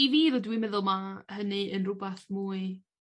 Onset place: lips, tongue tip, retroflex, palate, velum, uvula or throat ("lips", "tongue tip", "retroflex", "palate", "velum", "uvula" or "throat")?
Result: lips